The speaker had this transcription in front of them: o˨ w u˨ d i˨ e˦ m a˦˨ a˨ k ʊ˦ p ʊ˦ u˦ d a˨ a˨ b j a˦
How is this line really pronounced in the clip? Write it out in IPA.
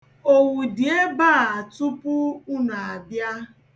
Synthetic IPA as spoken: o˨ w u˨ d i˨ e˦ b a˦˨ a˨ t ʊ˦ p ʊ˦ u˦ n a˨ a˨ b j a˦